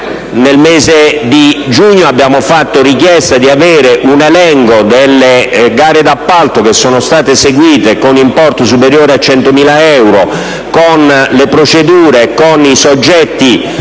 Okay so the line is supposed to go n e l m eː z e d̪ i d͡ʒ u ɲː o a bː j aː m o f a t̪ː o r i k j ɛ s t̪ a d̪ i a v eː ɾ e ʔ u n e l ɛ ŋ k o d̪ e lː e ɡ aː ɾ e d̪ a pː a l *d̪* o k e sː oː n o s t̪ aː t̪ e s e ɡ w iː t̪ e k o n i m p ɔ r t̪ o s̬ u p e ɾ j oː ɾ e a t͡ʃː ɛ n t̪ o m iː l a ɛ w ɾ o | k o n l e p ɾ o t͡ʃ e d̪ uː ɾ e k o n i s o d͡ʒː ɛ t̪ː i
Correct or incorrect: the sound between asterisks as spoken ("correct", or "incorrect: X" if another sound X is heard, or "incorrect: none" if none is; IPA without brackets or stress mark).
incorrect: t̪